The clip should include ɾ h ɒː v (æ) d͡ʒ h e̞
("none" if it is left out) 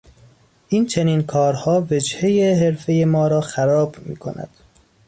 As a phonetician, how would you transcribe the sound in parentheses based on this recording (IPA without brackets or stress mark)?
e